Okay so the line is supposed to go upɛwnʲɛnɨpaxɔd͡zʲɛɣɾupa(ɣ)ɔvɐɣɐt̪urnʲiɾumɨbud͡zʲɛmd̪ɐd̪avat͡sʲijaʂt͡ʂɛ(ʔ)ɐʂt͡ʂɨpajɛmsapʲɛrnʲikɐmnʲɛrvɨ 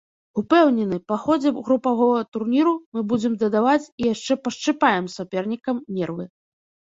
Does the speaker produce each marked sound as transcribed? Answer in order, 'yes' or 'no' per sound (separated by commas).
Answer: yes, no